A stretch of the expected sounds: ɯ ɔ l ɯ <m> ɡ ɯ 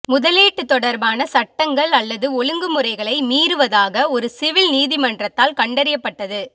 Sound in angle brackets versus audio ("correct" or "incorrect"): incorrect